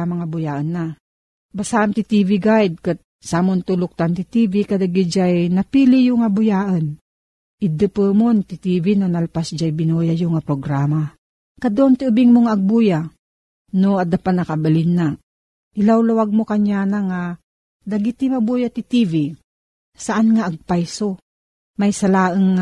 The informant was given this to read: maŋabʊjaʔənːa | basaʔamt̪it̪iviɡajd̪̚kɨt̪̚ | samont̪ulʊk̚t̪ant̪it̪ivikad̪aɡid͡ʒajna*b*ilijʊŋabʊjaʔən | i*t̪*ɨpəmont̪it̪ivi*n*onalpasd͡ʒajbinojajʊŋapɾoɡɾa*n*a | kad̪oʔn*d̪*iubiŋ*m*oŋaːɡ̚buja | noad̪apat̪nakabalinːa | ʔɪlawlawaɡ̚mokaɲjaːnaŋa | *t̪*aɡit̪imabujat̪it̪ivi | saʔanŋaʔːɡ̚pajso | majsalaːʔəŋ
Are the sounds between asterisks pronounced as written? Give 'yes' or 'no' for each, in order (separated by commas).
no, no, yes, no, no, yes, no